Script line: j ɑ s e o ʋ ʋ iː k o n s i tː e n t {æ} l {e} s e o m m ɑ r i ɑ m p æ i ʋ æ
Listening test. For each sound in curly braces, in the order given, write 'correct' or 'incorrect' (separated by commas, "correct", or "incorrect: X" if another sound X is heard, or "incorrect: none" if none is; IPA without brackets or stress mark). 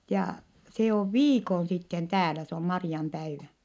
incorrect: æː, incorrect: æ